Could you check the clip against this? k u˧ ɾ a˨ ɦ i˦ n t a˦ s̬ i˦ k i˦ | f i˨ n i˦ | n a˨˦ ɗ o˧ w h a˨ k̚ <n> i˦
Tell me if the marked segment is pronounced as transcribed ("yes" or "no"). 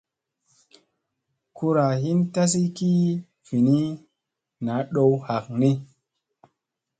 yes